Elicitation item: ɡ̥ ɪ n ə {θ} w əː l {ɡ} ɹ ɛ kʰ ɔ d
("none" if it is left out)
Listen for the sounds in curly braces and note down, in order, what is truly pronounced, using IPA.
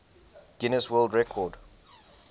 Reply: s, d

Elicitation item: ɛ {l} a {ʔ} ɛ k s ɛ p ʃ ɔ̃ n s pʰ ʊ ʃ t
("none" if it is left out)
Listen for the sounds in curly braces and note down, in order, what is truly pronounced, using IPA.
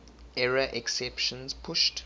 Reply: ɹ, ʔ

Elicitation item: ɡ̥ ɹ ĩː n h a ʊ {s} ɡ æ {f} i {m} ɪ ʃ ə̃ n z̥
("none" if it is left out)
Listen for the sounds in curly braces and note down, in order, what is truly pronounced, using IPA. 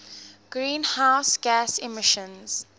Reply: s, s, m

